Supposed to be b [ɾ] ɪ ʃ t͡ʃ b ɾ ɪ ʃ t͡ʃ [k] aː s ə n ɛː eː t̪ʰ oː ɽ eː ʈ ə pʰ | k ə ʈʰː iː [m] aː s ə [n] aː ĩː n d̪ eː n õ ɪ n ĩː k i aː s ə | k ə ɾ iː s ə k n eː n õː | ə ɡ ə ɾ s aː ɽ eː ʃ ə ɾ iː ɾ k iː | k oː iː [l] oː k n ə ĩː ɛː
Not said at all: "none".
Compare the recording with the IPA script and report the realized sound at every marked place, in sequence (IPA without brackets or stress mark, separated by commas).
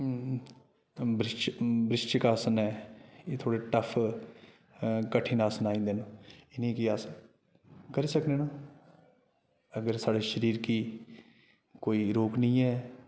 ɾ, k, n, n, ɾ